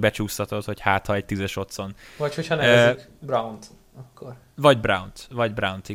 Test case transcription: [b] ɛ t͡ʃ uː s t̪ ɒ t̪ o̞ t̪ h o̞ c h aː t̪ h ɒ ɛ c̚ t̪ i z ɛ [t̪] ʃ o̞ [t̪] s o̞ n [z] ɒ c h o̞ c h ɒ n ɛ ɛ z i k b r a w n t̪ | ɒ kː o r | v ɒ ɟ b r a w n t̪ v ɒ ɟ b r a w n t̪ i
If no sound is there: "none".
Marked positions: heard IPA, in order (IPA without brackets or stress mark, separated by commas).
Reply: b, none, t̪, v